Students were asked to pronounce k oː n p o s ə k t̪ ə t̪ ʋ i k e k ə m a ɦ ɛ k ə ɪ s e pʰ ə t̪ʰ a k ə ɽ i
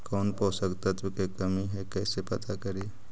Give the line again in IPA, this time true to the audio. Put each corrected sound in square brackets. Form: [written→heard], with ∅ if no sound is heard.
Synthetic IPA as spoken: k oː n p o s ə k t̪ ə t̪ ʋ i k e k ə m [a→i] ɦ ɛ k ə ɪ s e [pʰ→p] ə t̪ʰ a k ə [ɽ→ɾ] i